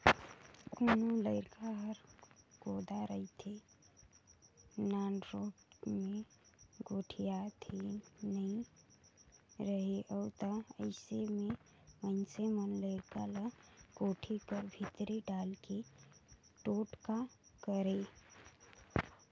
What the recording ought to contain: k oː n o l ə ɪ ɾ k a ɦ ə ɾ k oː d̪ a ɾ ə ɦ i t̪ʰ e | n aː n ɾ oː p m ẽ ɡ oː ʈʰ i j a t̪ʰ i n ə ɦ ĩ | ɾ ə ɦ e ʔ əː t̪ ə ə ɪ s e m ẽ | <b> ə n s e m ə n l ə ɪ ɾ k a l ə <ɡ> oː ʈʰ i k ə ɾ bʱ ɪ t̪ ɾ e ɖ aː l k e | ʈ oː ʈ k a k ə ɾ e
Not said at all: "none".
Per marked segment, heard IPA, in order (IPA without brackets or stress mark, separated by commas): m, ɡ